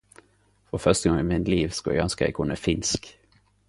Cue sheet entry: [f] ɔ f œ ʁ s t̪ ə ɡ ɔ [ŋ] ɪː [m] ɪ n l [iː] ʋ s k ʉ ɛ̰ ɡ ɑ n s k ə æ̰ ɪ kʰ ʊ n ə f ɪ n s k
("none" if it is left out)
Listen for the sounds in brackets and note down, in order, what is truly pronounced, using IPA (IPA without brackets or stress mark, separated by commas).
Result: f, ŋ, m, iː